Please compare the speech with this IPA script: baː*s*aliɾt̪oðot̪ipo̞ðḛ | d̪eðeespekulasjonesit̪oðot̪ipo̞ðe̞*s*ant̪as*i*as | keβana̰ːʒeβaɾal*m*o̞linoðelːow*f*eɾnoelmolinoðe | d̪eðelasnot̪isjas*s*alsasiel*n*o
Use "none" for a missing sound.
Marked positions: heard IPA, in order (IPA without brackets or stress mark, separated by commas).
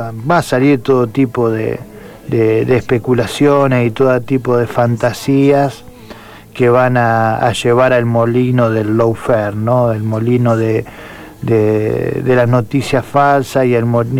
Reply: s, f, i, m, f, f, m